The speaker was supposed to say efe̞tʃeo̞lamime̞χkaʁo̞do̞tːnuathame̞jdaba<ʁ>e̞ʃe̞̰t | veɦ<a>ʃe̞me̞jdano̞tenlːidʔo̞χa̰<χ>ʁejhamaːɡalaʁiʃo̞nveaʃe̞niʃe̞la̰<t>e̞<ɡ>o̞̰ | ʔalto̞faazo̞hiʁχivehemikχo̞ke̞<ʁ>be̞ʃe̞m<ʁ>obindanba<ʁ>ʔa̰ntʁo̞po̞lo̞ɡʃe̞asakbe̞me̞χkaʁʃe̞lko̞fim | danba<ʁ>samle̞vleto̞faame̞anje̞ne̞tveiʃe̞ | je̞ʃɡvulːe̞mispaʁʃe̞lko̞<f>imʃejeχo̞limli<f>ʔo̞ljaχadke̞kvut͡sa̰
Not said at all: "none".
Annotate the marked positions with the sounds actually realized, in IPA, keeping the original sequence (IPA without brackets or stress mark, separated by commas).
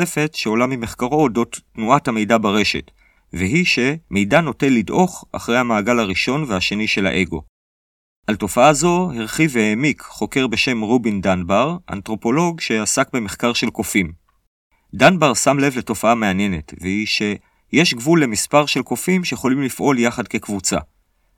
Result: ʁ, i, χ, ʔ, ɡ, ʁ, ʁ, ʁ, ʁ, f, f